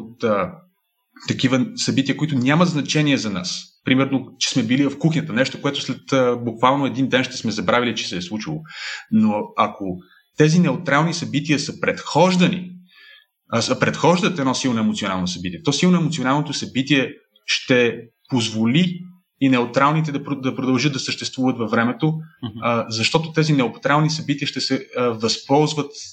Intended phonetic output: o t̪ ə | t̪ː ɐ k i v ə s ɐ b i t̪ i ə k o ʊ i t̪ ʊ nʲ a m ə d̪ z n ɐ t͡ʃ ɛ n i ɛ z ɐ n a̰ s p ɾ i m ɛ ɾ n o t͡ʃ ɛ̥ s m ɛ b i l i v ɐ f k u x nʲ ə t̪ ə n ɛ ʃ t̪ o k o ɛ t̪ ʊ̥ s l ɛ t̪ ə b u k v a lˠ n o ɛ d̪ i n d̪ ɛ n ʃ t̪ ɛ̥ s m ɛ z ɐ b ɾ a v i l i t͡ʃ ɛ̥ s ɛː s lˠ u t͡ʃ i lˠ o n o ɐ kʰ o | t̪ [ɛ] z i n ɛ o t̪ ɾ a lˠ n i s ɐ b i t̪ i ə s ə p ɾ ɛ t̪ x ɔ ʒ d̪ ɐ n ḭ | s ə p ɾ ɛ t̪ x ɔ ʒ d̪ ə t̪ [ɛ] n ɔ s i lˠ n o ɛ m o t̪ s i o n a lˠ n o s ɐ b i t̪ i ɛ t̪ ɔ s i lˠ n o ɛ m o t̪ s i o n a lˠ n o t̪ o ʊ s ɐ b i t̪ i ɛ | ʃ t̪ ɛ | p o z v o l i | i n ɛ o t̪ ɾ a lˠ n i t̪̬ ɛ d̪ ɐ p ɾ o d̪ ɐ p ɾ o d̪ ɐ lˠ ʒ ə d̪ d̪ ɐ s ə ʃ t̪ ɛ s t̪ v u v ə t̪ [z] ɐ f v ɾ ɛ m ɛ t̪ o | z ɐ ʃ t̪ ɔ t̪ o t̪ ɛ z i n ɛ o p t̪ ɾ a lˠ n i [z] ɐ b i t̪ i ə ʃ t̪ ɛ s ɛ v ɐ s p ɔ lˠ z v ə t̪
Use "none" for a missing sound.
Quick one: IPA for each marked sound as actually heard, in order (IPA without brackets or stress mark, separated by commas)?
ɛ, ɛ, v, s